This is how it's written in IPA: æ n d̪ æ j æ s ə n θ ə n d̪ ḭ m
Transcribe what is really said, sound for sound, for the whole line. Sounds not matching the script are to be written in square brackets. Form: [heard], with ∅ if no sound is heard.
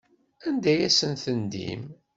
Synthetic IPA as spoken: æ n d̪ æ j æ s ə n θ ə n d̪ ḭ m